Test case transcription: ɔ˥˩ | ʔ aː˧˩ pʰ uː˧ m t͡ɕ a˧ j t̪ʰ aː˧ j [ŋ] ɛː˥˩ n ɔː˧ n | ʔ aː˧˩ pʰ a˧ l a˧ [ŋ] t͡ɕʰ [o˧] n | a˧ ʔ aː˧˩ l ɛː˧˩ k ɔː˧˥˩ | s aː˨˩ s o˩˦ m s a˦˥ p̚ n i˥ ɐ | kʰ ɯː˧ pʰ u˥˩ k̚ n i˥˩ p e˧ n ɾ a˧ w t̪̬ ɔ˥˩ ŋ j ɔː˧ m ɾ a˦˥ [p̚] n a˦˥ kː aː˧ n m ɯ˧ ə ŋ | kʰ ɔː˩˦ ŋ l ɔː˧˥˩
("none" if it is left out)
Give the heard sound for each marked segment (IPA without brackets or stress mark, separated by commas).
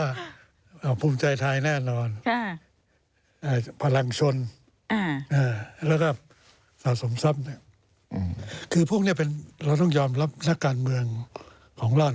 n, ŋ, o˧, p̚